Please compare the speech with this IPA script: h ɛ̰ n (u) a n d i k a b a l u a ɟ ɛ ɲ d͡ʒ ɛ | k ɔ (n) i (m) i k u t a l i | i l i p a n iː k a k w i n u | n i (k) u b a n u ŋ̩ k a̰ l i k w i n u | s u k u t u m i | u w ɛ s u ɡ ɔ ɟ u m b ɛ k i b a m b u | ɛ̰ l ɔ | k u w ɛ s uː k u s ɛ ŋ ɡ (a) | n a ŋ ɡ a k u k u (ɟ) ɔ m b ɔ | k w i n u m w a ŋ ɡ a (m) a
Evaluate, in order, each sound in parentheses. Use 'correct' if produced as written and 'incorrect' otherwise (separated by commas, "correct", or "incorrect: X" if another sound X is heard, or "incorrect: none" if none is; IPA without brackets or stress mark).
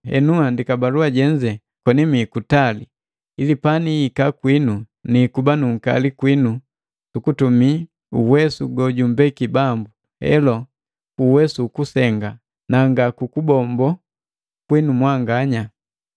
correct, correct, correct, correct, correct, incorrect: b, incorrect: ɲ